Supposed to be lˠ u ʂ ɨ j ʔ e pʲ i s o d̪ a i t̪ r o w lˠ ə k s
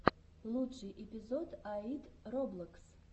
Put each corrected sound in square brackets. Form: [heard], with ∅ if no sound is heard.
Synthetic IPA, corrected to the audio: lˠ u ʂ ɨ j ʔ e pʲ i [z] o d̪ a i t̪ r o [b] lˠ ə k s